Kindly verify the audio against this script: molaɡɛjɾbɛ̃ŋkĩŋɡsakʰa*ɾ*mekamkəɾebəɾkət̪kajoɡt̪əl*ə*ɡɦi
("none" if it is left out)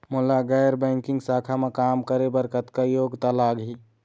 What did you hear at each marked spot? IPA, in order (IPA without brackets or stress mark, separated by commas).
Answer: none, a